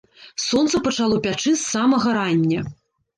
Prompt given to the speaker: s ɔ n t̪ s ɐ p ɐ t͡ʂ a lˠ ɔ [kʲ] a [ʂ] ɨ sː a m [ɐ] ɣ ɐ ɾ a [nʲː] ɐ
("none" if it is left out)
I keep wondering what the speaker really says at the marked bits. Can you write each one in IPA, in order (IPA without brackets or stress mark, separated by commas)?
pʲ, t͡ʂ, ɐ, nʲː